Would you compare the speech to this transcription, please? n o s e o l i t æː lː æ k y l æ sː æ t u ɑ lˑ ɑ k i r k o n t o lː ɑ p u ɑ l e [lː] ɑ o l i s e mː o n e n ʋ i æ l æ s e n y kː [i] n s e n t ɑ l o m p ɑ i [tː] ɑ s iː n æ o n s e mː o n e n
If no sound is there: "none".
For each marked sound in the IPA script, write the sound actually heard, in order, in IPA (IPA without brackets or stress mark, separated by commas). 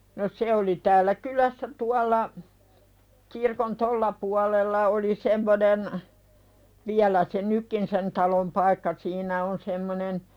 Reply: lː, i, kː